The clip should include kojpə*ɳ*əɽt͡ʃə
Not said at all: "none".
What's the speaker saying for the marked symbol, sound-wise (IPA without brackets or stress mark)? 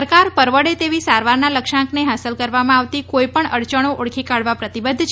ɳ